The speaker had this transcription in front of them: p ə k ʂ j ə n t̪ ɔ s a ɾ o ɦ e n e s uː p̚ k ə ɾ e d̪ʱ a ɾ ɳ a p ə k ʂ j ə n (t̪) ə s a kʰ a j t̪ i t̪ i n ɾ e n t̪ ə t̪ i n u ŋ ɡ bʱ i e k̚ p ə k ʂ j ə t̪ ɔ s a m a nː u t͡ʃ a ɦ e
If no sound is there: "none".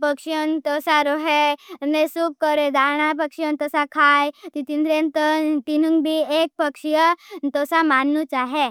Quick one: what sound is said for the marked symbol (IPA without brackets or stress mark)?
t̪